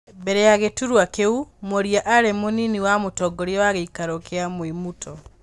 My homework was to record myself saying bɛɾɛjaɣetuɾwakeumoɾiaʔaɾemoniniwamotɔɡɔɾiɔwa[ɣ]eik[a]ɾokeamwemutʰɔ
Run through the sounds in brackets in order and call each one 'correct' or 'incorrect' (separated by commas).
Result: correct, correct